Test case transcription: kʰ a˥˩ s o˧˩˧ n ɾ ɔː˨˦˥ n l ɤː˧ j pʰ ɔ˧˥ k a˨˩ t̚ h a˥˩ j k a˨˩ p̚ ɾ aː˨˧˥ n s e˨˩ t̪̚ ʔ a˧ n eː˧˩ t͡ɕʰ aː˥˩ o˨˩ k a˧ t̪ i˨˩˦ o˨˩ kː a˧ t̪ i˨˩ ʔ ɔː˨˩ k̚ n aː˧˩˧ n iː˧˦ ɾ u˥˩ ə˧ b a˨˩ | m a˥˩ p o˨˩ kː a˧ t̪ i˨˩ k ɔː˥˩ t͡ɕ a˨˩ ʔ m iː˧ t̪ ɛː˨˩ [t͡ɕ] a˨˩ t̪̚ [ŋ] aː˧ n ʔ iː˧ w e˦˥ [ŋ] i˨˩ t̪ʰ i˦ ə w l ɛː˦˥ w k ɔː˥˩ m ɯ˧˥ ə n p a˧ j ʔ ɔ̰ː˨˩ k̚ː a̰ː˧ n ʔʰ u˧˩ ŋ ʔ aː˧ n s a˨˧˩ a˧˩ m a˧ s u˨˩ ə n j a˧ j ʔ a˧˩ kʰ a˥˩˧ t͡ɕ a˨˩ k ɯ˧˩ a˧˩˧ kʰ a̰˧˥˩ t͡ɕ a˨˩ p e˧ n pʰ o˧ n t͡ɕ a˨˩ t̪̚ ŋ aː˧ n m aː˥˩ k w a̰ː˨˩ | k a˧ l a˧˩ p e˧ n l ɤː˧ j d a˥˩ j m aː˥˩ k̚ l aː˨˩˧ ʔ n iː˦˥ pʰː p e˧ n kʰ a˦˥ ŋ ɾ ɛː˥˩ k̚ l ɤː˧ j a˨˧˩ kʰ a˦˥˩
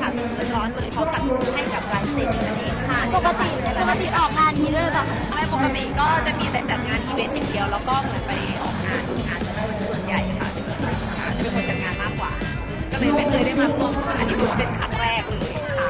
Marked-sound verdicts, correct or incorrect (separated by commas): correct, correct, incorrect